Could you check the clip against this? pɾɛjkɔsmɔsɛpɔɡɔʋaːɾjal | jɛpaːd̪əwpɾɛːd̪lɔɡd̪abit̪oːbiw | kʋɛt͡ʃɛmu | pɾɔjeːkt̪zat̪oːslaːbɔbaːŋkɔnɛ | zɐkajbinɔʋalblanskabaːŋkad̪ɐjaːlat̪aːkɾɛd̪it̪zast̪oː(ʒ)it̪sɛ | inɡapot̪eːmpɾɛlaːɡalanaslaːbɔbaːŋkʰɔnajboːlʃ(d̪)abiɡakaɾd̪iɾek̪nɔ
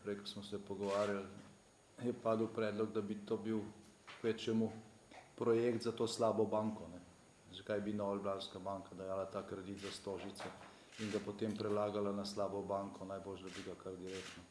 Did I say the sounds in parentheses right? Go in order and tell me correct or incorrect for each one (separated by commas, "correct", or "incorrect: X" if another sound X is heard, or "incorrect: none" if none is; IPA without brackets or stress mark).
correct, correct